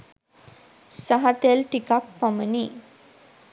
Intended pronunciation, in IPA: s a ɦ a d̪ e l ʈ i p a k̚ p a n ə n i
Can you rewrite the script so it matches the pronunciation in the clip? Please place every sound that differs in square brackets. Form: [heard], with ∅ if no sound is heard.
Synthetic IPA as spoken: s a ɦ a [t̪] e l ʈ i [k] a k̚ p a [m] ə n i